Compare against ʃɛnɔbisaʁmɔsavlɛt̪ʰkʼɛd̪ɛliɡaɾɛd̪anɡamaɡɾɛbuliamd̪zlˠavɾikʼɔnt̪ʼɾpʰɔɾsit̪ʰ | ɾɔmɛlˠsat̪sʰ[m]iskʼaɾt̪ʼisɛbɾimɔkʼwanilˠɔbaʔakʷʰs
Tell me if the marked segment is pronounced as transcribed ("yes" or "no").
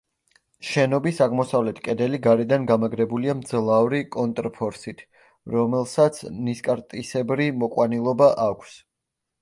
no